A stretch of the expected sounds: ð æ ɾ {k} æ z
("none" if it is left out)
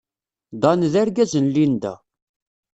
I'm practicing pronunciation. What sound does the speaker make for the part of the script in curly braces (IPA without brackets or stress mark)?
ɡ